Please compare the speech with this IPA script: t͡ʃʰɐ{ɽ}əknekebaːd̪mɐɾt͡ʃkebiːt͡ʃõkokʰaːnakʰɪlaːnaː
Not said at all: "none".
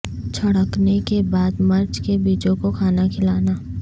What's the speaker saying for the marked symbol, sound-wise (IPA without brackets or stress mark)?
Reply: ɽ